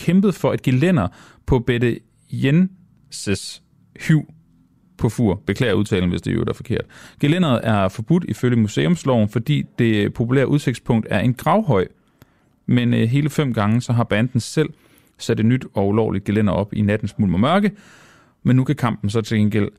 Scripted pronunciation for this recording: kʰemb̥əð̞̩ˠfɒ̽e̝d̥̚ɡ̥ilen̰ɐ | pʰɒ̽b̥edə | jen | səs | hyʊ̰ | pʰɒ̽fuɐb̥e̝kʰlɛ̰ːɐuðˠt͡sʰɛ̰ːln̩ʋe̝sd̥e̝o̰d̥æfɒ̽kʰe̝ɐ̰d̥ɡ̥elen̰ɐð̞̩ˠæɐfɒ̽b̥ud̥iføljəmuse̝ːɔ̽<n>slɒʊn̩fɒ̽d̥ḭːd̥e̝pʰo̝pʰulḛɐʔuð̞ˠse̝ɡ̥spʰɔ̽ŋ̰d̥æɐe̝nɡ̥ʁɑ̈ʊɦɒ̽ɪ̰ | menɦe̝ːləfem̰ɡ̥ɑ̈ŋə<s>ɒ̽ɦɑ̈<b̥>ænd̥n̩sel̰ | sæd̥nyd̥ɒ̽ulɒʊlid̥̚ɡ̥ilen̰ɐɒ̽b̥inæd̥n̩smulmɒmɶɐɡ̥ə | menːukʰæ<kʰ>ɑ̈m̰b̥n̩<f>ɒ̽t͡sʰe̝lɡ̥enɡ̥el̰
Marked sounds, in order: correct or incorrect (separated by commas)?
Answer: incorrect, correct, correct, correct, incorrect